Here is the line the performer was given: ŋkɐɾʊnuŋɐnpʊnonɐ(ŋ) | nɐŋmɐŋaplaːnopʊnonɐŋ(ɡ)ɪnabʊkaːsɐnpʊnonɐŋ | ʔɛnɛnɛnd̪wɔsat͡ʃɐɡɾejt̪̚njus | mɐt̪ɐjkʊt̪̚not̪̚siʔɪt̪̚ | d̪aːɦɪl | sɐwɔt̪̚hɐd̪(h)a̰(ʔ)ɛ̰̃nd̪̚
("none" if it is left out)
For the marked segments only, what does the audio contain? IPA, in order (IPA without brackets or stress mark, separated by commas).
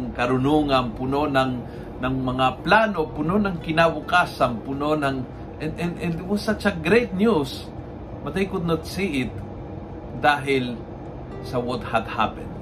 ŋ, k, h, p